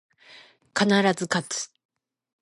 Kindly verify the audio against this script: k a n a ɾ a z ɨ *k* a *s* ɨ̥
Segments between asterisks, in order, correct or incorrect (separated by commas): correct, incorrect